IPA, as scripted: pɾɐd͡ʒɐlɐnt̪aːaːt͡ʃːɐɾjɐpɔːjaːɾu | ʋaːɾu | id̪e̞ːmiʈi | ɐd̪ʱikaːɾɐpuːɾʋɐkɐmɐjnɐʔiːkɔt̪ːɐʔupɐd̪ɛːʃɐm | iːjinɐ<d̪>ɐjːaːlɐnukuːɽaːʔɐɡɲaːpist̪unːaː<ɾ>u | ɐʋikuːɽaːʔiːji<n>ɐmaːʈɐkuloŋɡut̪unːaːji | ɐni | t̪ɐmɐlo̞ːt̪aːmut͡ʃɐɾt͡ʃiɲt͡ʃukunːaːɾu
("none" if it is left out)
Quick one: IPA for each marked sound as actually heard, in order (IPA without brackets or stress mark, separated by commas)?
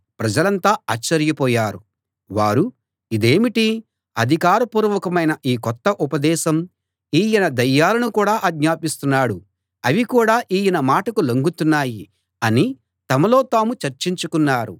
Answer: d̪, ɽ, n